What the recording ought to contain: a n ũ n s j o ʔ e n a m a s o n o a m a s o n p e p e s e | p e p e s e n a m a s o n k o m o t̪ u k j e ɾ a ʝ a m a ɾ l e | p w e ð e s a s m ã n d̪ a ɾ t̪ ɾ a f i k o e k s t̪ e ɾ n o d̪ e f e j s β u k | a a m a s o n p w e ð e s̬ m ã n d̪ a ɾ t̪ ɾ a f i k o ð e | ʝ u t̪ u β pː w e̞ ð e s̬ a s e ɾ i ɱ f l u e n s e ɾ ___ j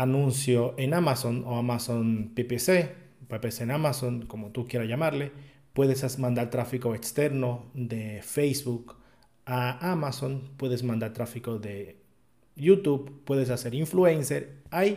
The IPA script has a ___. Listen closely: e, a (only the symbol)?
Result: a